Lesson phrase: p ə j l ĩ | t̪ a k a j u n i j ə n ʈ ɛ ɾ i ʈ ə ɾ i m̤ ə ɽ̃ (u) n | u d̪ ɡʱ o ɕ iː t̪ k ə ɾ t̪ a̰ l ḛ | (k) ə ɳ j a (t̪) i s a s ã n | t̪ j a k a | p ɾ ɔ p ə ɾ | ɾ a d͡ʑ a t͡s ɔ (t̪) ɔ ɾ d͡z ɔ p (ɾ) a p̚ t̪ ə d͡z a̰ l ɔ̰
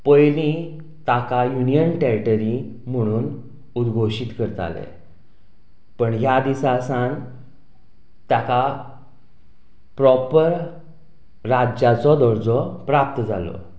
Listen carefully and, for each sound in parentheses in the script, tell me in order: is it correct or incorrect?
incorrect: uː, incorrect: p, incorrect: d̪, incorrect: d̪, correct

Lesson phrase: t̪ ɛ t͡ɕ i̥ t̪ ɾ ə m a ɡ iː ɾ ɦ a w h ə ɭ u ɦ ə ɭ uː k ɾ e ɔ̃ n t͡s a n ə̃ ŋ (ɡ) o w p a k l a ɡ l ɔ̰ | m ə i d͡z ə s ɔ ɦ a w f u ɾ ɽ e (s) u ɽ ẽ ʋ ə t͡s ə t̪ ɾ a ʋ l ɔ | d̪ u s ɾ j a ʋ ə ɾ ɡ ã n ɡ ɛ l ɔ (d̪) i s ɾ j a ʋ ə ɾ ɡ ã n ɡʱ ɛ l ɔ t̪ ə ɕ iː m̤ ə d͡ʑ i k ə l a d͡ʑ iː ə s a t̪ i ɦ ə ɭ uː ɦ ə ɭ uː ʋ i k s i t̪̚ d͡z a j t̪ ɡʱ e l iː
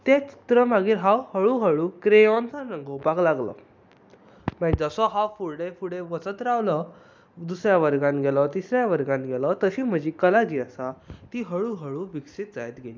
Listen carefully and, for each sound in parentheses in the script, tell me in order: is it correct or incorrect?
correct, incorrect: f, incorrect: t̪

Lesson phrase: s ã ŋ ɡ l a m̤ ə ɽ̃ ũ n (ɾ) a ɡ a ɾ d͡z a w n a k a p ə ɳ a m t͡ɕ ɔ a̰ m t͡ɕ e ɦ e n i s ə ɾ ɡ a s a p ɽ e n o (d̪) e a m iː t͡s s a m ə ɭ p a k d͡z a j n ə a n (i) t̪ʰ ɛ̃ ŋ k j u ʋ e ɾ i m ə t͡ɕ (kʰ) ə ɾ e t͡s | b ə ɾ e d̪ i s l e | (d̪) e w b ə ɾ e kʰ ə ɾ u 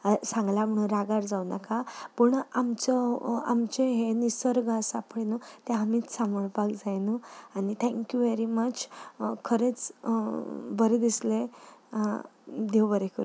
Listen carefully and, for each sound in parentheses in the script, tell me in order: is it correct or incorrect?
correct, incorrect: t̪, correct, correct, correct

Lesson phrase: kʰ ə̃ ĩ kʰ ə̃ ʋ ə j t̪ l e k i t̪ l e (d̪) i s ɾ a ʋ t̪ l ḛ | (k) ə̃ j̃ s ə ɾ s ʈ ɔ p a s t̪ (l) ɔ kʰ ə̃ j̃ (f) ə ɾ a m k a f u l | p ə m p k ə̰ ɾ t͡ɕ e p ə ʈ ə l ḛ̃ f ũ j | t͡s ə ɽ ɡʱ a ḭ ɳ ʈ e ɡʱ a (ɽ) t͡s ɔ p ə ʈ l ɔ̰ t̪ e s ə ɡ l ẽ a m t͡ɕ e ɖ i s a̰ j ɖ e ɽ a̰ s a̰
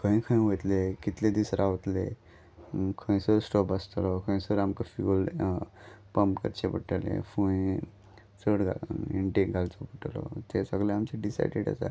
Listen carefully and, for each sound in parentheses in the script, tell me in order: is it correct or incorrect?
correct, incorrect: kʰ, correct, incorrect: s, incorrect: l

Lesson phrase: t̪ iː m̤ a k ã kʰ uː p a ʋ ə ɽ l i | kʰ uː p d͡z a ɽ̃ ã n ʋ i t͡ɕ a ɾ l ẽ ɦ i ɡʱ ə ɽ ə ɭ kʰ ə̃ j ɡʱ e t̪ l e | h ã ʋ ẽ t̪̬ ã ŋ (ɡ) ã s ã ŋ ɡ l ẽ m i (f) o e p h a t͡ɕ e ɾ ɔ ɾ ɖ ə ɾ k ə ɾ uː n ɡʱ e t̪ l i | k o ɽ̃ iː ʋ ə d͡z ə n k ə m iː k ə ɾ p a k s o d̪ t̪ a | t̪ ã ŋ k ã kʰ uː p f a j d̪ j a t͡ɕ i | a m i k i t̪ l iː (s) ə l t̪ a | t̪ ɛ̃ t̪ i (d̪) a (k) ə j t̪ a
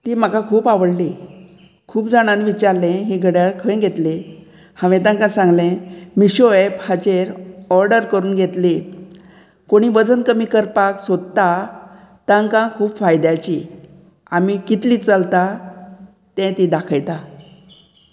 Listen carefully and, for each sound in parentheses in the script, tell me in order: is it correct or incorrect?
incorrect: k, incorrect: ɕ, incorrect: t͡s, correct, incorrect: kʰ

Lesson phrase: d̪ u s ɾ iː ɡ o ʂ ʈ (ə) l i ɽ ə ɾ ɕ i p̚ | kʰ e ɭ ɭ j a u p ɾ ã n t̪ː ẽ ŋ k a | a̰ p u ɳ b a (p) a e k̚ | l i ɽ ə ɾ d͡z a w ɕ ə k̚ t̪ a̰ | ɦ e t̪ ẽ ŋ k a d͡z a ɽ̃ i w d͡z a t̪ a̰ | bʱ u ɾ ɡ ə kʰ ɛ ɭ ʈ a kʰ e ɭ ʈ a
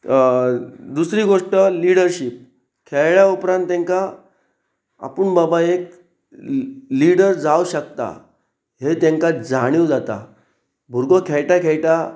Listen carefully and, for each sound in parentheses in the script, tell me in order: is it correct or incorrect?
correct, incorrect: b

